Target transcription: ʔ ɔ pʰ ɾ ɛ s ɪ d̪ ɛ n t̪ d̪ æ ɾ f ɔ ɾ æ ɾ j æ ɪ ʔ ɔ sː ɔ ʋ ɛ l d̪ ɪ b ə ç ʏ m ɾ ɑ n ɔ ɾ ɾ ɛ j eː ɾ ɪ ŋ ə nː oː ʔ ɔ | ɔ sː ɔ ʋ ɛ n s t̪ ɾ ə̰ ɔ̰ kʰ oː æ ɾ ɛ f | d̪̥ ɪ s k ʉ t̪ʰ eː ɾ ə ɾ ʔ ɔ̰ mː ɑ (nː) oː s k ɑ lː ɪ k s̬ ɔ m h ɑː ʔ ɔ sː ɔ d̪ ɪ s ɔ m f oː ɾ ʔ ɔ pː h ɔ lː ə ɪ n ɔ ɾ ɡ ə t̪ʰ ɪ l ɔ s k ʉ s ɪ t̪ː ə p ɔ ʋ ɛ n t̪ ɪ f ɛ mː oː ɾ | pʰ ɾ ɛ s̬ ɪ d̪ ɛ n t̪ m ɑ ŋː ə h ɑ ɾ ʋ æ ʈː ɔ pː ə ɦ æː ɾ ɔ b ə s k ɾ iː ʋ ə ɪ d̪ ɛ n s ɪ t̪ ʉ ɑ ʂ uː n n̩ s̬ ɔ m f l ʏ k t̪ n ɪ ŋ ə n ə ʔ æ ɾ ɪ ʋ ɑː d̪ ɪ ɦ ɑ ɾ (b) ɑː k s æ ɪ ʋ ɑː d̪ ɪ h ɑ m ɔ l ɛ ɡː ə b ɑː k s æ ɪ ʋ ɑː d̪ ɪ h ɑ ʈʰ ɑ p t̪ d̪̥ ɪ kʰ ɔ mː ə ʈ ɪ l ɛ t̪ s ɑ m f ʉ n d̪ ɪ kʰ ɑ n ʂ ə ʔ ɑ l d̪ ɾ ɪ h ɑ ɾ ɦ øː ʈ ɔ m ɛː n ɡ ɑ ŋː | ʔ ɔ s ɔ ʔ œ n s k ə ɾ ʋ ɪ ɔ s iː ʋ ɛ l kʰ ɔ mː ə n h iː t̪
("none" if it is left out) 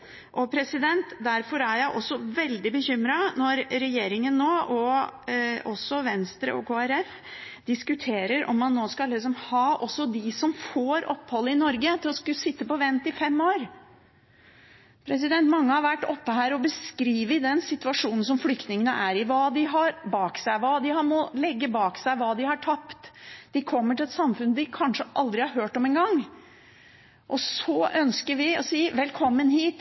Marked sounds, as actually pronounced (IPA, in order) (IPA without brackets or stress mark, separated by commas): nː, b